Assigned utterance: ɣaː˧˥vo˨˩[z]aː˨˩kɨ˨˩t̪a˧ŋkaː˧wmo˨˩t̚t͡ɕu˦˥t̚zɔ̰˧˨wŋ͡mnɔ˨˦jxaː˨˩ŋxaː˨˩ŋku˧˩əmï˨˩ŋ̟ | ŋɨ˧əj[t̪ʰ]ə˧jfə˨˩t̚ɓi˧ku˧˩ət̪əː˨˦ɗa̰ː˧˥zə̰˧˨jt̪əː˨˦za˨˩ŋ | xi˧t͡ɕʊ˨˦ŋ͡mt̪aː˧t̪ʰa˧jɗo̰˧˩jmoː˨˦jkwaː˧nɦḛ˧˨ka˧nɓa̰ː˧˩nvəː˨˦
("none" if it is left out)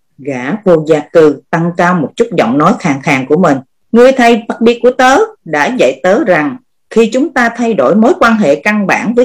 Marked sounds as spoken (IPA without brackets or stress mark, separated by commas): z, t̪ʰ